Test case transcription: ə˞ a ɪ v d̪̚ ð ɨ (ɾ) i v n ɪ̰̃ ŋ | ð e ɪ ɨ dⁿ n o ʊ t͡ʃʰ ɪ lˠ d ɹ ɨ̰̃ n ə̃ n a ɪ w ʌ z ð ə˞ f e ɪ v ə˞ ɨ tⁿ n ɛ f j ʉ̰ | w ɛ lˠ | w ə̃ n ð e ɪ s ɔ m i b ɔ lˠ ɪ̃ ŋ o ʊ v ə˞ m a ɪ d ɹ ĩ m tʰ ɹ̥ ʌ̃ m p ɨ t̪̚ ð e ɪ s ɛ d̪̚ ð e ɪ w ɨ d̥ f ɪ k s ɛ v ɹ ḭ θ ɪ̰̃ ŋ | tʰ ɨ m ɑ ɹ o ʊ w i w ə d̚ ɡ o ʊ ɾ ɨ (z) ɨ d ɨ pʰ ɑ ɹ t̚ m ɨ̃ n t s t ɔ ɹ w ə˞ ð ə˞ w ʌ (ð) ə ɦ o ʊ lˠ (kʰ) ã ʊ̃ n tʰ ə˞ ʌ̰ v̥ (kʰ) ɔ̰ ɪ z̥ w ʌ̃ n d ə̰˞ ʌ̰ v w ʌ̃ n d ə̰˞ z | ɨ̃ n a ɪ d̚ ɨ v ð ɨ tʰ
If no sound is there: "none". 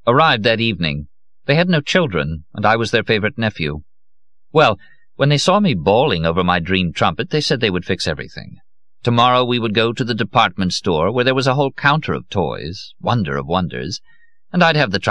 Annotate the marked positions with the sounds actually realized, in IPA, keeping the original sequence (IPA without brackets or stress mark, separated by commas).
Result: ɾ, ð, z, kʰ, tʰ